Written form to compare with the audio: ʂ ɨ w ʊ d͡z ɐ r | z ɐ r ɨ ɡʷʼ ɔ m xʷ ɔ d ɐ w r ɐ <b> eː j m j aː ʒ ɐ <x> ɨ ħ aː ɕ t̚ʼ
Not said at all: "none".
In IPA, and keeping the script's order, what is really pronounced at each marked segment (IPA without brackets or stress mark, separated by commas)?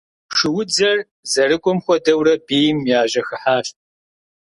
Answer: b, x